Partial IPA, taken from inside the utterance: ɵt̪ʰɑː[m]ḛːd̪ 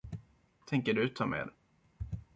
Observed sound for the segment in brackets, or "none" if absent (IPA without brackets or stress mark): m